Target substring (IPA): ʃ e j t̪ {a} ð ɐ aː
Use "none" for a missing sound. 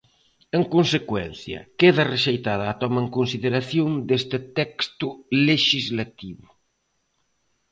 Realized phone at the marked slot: a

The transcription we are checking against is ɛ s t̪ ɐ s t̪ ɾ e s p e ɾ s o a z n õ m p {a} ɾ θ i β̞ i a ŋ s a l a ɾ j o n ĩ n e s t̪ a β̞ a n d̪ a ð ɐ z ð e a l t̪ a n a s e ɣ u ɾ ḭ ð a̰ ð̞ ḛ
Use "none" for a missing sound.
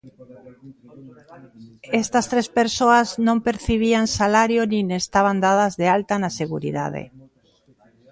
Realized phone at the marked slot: e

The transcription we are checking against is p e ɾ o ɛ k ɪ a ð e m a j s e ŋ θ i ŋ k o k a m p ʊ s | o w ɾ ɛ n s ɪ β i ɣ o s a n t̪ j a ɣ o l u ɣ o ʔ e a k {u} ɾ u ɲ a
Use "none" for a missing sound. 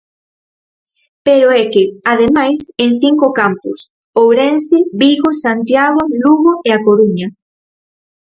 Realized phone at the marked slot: o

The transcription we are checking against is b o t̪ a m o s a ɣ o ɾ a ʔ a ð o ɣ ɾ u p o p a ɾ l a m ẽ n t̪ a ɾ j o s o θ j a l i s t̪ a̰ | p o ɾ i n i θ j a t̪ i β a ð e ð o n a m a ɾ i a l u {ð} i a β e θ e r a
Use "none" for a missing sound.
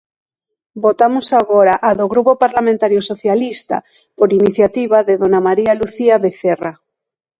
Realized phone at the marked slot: θ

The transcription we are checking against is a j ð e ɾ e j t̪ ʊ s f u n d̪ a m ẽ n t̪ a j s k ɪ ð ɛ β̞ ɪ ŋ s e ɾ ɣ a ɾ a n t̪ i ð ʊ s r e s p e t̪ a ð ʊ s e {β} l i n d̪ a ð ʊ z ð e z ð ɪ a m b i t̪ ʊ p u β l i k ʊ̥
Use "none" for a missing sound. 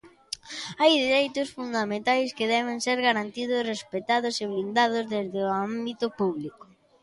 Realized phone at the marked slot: β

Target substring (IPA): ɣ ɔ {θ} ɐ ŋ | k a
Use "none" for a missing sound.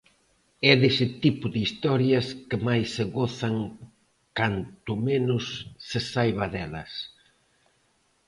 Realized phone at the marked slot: θ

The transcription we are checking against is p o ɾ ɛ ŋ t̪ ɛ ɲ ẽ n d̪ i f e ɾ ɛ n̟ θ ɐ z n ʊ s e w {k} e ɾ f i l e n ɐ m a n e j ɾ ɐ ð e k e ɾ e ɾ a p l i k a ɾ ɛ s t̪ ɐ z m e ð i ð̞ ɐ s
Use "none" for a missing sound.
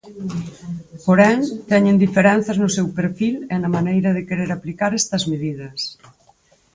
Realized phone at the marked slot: p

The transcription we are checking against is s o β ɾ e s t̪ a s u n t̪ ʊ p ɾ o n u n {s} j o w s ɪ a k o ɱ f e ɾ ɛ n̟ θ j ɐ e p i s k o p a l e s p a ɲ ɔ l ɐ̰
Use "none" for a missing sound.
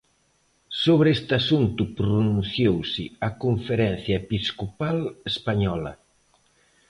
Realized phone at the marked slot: θ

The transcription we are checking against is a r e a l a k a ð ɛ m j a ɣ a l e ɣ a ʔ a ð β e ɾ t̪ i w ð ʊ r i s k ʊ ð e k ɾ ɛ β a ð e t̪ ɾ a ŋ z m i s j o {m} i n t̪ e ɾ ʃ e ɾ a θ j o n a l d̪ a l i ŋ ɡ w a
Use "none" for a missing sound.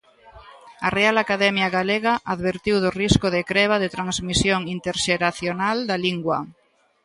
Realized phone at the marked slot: ŋ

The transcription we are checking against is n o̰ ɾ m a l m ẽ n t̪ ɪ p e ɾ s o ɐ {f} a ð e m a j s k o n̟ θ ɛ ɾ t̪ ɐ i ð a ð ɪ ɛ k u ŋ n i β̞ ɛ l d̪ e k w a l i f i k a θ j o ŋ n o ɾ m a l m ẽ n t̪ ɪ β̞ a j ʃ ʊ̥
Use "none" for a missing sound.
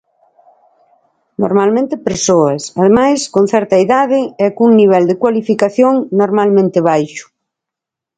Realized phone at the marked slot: s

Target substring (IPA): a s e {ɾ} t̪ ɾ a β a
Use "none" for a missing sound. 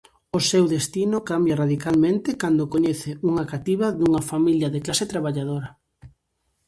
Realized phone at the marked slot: none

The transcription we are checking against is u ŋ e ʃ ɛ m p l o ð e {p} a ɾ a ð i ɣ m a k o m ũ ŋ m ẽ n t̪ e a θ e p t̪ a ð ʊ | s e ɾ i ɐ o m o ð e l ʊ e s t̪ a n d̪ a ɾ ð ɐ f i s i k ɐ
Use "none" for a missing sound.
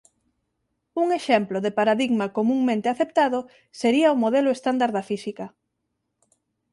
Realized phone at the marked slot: p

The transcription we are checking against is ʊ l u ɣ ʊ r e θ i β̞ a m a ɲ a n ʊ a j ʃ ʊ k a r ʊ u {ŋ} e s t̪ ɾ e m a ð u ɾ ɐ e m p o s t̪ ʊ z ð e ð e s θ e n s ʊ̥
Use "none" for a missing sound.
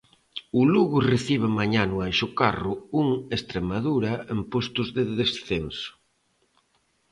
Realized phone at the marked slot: ŋ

